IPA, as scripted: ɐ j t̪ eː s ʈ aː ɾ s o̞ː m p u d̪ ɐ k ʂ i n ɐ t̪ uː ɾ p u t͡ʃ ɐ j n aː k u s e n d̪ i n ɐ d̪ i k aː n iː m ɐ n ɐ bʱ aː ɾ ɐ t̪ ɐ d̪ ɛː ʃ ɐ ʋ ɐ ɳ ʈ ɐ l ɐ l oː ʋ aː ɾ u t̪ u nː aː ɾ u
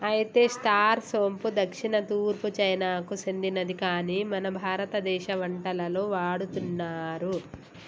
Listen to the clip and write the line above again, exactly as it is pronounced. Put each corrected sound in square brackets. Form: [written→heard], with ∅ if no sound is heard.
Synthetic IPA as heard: ɐ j t̪ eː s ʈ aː ɾ s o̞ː m p u d̪ ɐ k ʂ i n ɐ t̪ uː ɾ p u t͡ʃ ɐ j n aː k u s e n d̪ i n ɐ d̪ i k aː n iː m ɐ n ɐ bʱ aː ɾ ɐ t̪ ɐ d̪ ɛː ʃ ɐ ʋ ɐ ɳ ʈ ɐ l ɐ l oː ʋ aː [ɾ→ɽ] u t̪ u nː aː ɾ u

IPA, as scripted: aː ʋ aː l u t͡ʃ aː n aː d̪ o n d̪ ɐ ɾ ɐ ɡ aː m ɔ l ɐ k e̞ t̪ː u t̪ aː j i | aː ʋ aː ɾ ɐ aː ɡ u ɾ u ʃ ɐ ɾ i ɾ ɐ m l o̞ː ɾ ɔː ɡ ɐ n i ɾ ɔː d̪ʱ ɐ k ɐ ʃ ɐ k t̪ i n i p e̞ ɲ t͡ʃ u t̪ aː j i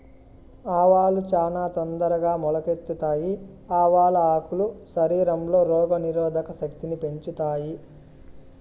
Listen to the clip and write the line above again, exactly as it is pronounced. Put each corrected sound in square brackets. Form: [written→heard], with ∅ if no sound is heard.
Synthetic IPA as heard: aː ʋ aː l u t͡ʃ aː n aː [d̪→t̪] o n d̪ ɐ ɾ ɐ ɡ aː m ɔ l ɐ k e̞ t̪ː u t̪ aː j i | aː ʋ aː [ɾ→l] ɐ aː [ɡ→k] u [ɾ→l] u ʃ ɐ ɾ [i→iː] ɾ ɐ m l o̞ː ɾ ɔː ɡ ɐ n i ɾ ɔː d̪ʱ ɐ k ɐ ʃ ɐ k t̪ i n i p e̞ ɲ t͡ʃ u t̪ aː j i

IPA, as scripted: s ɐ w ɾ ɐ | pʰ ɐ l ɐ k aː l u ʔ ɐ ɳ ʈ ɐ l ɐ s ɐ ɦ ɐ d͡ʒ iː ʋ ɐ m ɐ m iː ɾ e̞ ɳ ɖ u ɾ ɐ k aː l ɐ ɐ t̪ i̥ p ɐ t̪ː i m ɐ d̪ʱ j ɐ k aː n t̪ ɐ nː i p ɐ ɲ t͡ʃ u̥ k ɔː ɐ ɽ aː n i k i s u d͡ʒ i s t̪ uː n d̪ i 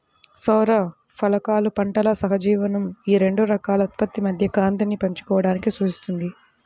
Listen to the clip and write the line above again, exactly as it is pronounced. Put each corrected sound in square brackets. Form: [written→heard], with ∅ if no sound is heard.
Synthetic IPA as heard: s ɐ w ɾ ɐ | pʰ ɐ l ɐ k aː l u [ʔ→p] ɐ ɳ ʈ ɐ l ɐ s ɐ ɦ ɐ d͡ʒ iː ʋ ɐ [m→n] ɐ m iː ɾ e̞ ɳ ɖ u ɾ ɐ k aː l ɐ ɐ t̪ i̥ p ɐ t̪ː i m ɐ d̪ʱ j ɐ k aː n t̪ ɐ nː i p ɐ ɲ t͡ʃ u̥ k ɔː ɐ ɽ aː n i k i s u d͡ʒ i s t̪ [uː→u] n d̪ i

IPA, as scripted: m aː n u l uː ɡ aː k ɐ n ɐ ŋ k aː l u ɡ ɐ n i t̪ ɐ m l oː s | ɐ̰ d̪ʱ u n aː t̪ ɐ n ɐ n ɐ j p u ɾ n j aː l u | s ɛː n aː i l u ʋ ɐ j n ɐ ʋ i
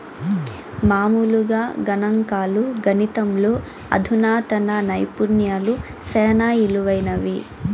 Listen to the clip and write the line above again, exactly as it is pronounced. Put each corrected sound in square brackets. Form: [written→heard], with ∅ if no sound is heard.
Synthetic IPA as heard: m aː [n→m] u l [uː→u] ɡ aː [k→ɡ] ɐ n ɐ ŋ k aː l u ɡ ɐ n i t̪ ɐ m l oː [s→∅] | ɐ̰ d̪ʱ u n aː t̪ ɐ n ɐ n ɐ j p u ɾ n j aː l u | s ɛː n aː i l u ʋ ɐ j n ɐ ʋ i

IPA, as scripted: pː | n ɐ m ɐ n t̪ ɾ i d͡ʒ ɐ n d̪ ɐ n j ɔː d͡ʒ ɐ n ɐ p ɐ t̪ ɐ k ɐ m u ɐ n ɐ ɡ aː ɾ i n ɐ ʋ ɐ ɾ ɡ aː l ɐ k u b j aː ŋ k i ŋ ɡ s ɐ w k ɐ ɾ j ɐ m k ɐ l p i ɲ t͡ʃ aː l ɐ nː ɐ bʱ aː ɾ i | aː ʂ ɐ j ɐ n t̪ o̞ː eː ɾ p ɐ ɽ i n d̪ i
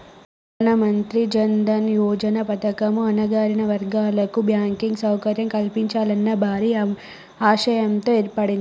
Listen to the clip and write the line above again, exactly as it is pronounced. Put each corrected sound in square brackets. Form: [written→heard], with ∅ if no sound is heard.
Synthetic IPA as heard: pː | n ɐ m ɐ n t̪ ɾ i d͡ʒ ɐ n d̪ ɐ n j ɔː d͡ʒ ɐ n ɐ p ɐ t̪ ɐ k ɐ m u ɐ n ɐ ɡ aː ɾ i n ɐ ʋ ɐ ɾ ɡ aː l ɐ k u b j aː ŋ k i ŋ ɡ s ɐ w k ɐ ɾ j ɐ m k ɐ l p i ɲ t͡ʃ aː l ɐ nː ɐ bʱ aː ɾ i | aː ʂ ɐ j ɐ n t̪ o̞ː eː ɾ p ɐ ɽ i n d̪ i

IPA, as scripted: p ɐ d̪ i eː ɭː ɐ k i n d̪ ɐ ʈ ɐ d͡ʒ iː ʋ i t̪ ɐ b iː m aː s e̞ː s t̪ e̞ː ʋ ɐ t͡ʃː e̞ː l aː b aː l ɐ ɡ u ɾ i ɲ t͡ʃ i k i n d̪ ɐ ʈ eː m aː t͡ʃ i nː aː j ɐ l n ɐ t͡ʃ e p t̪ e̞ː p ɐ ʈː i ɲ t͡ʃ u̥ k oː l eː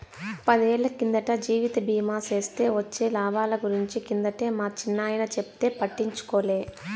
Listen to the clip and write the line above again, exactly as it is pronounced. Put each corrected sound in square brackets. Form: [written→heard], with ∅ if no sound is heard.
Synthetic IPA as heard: p ɐ d̪ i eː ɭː ɐ k i n d̪ ɐ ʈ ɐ d͡ʒ iː ʋ i t̪ ɐ b iː m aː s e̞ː s t̪ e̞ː ʋ ɐ t͡ʃː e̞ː l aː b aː l ɐ ɡ u ɾ i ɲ t͡ʃ i k i n d̪ ɐ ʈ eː m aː t͡ʃ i nː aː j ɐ [l→∅] n ɐ t͡ʃ e p t̪ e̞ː p ɐ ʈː i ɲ t͡ʃ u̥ k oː l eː

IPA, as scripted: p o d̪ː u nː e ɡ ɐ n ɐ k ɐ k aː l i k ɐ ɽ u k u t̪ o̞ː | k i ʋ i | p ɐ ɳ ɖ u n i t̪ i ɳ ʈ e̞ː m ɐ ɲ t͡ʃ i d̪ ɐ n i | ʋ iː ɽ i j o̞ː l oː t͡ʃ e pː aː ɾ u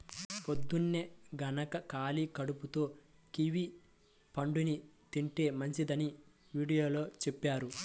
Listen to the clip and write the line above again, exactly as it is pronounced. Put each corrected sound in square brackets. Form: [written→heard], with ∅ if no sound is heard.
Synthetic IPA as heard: p o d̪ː u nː e ɡ ɐ n ɐ k ɐ k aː l i k ɐ ɽ u [k→p] u t̪ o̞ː | k i ʋ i | p ɐ ɳ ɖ u n i t̪ i ɳ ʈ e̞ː m ɐ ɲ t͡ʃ i d̪ ɐ n i | ʋ iː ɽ i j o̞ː l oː t͡ʃ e pː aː ɾ u

